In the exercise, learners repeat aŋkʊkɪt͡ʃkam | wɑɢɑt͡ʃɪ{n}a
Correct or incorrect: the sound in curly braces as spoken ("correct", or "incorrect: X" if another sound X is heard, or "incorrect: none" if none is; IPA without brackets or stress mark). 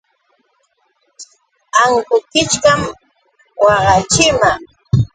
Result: incorrect: m